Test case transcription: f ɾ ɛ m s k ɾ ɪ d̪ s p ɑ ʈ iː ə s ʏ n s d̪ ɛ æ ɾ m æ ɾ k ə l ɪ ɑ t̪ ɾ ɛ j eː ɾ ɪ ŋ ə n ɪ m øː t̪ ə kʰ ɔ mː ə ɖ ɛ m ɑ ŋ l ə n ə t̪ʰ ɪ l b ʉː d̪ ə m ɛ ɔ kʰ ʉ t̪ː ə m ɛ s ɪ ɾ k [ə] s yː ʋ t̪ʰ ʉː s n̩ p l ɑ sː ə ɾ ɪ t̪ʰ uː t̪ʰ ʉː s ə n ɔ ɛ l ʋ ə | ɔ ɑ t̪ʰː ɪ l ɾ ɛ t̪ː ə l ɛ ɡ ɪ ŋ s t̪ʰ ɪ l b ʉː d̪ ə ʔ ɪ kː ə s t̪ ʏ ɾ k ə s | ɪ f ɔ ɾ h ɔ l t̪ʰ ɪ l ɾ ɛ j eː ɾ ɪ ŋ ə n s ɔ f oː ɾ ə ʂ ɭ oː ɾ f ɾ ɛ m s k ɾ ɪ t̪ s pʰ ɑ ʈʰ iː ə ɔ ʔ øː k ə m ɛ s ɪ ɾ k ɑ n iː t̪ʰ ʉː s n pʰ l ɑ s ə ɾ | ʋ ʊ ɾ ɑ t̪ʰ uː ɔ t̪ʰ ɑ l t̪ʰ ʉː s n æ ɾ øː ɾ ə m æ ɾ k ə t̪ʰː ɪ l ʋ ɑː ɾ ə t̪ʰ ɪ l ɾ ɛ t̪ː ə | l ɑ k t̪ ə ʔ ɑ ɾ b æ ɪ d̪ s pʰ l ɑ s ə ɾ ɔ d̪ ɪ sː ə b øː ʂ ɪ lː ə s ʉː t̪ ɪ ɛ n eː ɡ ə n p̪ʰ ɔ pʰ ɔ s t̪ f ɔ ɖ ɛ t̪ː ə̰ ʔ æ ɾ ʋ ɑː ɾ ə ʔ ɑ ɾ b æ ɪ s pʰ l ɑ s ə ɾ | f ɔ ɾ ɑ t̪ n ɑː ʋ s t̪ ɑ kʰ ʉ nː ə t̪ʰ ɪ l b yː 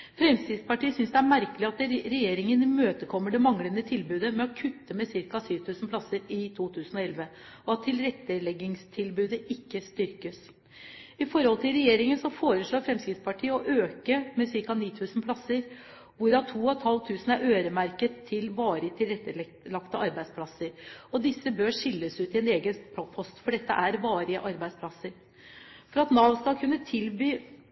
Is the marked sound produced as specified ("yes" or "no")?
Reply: no